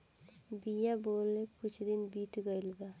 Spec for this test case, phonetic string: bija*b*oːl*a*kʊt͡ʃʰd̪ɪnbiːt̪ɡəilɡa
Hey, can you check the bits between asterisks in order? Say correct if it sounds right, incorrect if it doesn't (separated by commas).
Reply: correct, incorrect